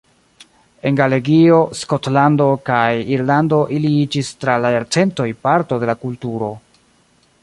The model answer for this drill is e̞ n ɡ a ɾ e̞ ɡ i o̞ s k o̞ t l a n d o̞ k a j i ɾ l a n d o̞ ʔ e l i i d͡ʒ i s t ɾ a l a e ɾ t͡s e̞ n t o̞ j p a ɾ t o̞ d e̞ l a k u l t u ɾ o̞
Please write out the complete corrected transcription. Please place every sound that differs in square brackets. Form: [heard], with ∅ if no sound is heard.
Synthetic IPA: e̞ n ɡ a [l] e̞ ɡ i o̞ s k o̞ t l a n d o̞ k a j i ɾ l a n d o̞ ʔ [i] l i i d͡ʒ i s t ɾ a l a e ɾ t͡s e̞ n t o̞ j p a ɾ t o̞ d e̞ l a k u l t u ɾ o̞